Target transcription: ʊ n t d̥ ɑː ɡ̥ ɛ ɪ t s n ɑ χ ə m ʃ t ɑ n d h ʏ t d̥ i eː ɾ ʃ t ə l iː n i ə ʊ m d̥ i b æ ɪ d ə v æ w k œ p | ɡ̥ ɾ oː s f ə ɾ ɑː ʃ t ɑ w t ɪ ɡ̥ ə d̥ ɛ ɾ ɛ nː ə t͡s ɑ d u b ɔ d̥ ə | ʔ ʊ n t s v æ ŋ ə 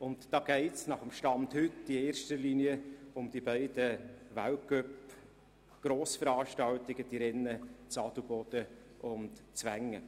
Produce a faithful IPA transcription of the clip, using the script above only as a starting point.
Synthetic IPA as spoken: ʊ n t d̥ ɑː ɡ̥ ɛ ɪ t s n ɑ χ ə m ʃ t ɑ n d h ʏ t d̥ i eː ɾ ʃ t ə l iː n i ə ʊ m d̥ i b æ ɪ d ə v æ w k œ p | ɡ̥ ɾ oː s f ə ɾ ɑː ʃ t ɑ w t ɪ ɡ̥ ə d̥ i ɾ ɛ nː ə t͡s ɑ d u b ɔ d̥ ə | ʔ ʊ n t t͡s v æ ŋ ə